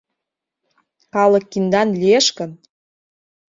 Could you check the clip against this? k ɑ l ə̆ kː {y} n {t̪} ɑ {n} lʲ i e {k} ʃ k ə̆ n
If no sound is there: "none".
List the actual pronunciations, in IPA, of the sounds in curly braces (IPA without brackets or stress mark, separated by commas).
i, d̪, n, none